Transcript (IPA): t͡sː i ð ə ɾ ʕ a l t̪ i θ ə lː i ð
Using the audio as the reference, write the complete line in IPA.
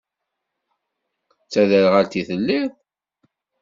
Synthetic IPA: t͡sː æ ð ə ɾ ʁ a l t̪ i θ ə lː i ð